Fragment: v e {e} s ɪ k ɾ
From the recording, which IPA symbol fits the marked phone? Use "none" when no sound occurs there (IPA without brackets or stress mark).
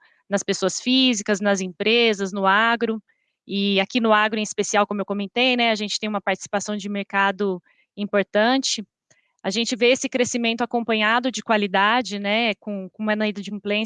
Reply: e